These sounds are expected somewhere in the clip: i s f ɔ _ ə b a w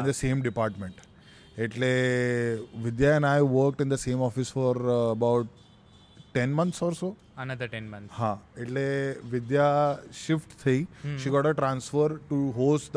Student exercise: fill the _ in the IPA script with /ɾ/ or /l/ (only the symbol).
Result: ɾ